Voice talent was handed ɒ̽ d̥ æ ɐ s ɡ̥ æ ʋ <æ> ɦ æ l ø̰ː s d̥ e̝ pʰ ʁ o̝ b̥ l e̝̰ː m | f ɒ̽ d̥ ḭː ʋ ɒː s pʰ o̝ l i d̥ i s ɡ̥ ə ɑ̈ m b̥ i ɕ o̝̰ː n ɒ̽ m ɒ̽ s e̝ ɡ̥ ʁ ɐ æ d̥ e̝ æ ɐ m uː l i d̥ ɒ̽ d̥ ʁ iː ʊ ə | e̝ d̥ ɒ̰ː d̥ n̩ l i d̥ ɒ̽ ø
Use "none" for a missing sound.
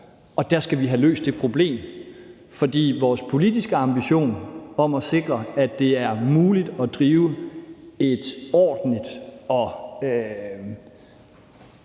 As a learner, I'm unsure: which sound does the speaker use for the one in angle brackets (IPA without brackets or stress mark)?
i